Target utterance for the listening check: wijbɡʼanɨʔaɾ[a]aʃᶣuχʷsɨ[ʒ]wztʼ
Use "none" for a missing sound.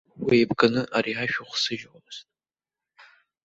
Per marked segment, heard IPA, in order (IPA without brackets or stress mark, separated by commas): i, ʒ